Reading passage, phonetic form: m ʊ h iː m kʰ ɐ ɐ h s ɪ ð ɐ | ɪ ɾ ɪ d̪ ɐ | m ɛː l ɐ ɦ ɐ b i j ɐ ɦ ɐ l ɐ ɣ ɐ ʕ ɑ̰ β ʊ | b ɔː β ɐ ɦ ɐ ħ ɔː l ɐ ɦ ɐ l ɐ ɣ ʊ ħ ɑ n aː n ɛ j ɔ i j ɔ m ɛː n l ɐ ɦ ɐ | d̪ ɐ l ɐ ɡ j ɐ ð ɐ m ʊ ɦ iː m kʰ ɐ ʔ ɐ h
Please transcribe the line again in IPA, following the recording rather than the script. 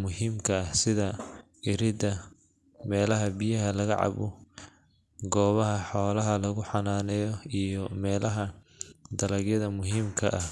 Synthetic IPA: m ʊ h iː m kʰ ɐ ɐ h s ɪ ð ɐ | ɪ ɾ ɪ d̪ ɐ | m ɛː l ɐ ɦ ɐ b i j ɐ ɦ ɐ l ɐ ɣ ɐ ʕ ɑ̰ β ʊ | ɡ ɔː β ɐ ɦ ɐ ħ ɔː l ɐ ɦ ɐ l ɐ ɣ ʊ ħ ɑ n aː n ɛ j ɔ i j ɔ m ɛː l ɐ ɦ ɐ | d̪ ɐ l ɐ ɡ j ɐ ð ɐ m ʊ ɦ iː m kʰ ɐ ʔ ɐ h

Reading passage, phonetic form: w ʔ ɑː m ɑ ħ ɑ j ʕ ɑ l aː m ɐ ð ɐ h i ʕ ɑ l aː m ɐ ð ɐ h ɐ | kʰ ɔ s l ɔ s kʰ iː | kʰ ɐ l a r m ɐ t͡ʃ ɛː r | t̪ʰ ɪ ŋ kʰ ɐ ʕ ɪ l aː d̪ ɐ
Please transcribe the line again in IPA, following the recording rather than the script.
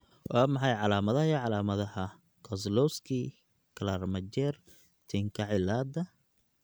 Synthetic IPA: w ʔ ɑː m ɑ ħ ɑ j ʕ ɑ l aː m ɐ ð ɐ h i ʕ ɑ l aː m ɐ ð ɐ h ɐ | kʰ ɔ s l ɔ s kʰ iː | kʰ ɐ l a r m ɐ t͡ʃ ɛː r | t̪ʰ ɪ ŋ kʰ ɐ ʕ ɪ l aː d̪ ɐ

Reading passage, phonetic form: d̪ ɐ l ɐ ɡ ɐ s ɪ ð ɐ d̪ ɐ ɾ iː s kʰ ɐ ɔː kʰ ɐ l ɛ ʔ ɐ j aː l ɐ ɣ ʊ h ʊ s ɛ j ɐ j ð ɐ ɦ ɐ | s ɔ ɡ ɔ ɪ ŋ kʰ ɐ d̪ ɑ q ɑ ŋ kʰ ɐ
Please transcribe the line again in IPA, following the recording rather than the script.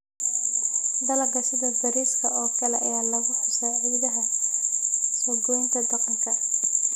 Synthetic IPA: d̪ ɐ l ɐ ɡ ɐ s ɪ ð ɐ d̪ ɐ ɾ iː s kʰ ɐ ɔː kʰ ɐ l ɛ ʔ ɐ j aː l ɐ ɣ ʊ ħ ʊ s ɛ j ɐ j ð ɐ ɦ ɐ | s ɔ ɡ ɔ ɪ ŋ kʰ ɐ d̪ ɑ q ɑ ŋ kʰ ɐ

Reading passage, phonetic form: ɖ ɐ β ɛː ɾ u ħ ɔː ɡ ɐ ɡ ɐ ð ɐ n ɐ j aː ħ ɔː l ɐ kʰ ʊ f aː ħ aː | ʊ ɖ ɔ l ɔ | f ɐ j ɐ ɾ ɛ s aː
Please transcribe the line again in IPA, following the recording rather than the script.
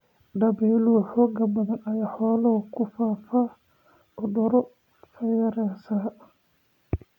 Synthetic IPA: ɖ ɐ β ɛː l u ħ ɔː ɡ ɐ b ɐ ð ɐ n ɐ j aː ħ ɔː l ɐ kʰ ʊ f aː f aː | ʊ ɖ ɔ ɾ ɔ | f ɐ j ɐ ɾ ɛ s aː

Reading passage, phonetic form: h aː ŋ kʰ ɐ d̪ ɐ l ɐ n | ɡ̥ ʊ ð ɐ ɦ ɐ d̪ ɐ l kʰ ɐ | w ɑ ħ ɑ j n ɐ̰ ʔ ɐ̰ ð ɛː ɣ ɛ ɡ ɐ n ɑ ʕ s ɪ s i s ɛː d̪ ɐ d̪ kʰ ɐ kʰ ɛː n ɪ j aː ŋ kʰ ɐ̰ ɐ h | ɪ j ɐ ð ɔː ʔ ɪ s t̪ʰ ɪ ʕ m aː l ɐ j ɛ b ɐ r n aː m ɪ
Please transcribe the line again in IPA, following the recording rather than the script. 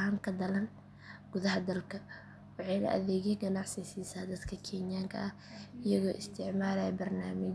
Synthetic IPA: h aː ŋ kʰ ɐ d̪ ɐ l ɐ n | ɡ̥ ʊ ð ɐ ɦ ɐ d̪ ɐ l kʰ ɐ | w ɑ ħ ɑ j n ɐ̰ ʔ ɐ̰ ð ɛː ɣ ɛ ɡ ɐ n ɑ ʕ s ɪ s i s aː d̪ ɐ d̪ kʰ ɐ kʰ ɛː n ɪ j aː ŋ kʰ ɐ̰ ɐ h | ɪ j ɐ ɣ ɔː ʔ ɪ s t̪ʰ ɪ ʕ m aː l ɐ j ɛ b ɐ r n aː m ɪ

